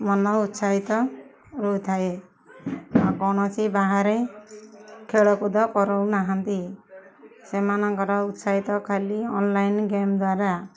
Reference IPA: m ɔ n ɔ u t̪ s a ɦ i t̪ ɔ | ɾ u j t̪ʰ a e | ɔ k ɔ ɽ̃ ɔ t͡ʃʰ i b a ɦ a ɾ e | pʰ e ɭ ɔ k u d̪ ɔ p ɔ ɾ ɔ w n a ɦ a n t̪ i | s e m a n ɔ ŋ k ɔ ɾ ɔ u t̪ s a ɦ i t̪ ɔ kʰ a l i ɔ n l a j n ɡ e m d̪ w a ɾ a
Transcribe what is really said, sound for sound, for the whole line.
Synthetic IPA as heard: m ɔ n ɔ u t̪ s a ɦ i t̪ ɔ | ɾ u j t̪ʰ a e | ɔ k ɔ ɽ̃ ɔ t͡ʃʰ i b a ɦ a ɾ e | kʰ e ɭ ɔ k u d̪ ɔ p ɔ ɾ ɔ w n a ɦ a n t̪ i | s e m a n ɔ ŋ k ɔ ɾ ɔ u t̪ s a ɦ i t̪ ɔ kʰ a l i ɔ n l a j n ɡ e m d̪ w a ɾ a